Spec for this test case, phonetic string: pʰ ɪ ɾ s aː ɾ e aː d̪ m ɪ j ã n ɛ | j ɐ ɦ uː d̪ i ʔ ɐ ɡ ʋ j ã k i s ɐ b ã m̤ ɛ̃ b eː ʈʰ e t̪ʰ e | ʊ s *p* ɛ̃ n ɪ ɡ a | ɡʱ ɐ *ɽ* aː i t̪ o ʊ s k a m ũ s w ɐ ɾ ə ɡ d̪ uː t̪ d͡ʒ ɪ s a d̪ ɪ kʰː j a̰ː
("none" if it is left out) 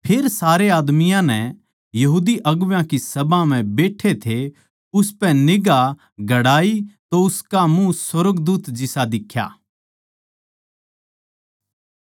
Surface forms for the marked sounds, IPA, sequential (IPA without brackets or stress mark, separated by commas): p, ɽ